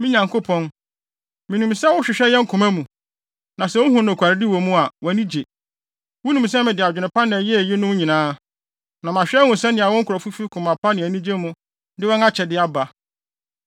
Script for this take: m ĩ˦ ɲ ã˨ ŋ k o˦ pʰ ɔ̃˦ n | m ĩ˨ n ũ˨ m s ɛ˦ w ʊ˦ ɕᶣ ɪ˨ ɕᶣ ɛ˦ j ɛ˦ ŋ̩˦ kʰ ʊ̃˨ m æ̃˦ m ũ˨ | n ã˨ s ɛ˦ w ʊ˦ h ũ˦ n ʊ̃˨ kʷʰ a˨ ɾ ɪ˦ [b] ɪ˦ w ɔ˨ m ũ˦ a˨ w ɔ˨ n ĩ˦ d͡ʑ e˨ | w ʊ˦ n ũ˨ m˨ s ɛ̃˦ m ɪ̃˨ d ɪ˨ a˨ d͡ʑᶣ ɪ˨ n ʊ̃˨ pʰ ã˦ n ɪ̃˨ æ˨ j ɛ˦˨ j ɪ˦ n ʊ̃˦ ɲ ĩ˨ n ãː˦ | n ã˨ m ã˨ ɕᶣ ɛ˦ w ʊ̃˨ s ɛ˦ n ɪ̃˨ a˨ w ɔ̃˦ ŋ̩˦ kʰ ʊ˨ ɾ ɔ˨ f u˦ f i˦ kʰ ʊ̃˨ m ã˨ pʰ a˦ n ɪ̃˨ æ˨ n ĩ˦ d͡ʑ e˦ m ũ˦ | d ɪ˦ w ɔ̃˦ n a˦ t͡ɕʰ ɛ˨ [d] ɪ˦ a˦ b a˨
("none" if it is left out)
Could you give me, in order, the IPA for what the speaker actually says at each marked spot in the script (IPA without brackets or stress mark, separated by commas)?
d, d